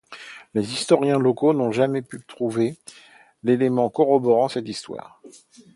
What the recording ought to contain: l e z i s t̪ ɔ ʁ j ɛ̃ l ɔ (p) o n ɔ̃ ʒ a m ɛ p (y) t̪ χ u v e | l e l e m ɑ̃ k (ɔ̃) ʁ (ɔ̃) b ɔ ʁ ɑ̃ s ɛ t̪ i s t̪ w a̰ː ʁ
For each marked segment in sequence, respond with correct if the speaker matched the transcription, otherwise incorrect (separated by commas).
incorrect, correct, incorrect, incorrect